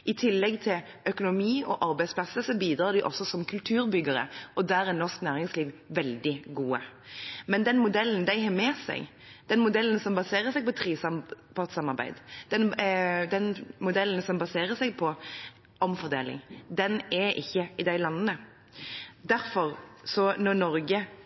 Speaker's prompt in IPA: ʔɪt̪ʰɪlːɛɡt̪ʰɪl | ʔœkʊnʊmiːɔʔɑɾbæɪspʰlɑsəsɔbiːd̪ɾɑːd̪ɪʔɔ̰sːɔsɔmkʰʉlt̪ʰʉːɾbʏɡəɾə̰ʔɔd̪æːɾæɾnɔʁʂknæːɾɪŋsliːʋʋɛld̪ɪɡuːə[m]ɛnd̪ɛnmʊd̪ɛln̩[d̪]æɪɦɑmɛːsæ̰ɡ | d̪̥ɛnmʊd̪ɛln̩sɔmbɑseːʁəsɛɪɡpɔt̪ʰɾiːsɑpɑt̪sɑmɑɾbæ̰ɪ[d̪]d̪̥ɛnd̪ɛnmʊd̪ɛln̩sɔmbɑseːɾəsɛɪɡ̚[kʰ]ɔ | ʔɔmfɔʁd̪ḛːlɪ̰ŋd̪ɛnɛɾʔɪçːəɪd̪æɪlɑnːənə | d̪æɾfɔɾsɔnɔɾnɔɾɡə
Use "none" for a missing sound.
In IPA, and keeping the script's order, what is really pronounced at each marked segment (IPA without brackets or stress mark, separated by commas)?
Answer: m, d̪, d̪, pʰ